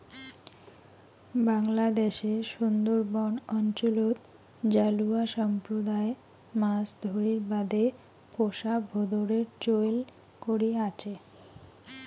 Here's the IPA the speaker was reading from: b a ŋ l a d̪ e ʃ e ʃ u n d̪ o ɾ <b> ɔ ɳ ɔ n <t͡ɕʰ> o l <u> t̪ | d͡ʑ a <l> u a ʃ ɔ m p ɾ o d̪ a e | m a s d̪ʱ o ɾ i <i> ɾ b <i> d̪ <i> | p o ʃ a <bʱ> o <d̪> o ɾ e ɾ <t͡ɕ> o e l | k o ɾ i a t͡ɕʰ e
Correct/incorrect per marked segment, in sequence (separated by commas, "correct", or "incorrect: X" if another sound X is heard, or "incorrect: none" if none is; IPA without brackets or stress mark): correct, incorrect: t͡ɕ, incorrect: o, correct, correct, incorrect: a, incorrect: e, correct, correct, correct